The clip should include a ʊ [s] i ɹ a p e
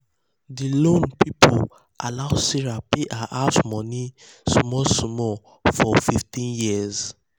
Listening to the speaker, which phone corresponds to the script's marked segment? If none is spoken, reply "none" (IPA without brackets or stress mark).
s